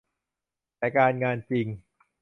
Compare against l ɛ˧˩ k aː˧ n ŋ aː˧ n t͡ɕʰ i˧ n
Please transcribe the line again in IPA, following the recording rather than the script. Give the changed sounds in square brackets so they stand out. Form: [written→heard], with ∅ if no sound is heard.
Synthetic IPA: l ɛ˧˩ k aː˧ n ŋ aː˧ n [t͡ɕʰ→t͡ɕ] i˧ [n→ŋ]